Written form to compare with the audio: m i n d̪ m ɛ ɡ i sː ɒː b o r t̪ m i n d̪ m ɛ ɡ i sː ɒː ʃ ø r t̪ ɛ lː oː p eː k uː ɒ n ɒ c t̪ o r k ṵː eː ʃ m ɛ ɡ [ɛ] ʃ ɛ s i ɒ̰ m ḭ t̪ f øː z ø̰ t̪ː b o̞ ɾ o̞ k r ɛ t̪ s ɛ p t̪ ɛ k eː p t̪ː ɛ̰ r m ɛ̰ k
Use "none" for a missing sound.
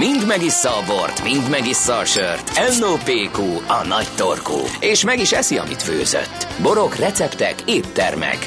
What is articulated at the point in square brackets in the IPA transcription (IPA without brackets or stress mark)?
i